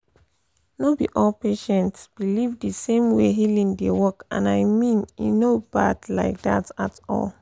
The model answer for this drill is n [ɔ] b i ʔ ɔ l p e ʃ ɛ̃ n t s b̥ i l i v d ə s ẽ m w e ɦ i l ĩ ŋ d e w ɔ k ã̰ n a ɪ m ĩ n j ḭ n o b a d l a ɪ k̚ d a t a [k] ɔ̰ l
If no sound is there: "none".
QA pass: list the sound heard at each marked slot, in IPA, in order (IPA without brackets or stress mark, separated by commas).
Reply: o, t